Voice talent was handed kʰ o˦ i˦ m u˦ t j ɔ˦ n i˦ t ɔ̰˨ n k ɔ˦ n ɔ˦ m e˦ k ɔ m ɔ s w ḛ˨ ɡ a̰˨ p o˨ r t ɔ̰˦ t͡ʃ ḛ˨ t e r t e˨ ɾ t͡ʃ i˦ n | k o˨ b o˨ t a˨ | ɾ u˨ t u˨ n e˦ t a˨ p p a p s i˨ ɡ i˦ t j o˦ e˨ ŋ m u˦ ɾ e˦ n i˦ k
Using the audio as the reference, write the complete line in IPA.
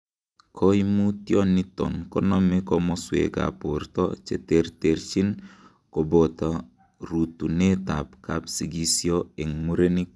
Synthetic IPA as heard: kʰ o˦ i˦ m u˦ t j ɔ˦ n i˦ t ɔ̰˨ n k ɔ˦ n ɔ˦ m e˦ k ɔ m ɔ s w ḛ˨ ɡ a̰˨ p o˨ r t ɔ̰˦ t͡ʃ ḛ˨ t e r t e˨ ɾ t͡ʃ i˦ n | k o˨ b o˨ t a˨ | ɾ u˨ t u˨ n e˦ t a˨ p k a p s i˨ ɡ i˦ s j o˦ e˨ ŋ m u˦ ɾ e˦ n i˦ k